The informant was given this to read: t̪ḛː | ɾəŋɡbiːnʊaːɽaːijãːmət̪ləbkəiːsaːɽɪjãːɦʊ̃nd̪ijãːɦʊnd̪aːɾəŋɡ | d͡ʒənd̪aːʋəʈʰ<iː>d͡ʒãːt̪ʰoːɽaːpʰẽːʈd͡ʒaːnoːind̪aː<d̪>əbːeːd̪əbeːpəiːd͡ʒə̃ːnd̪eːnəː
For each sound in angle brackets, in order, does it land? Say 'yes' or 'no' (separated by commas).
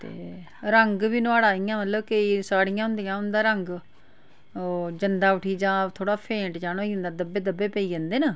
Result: yes, yes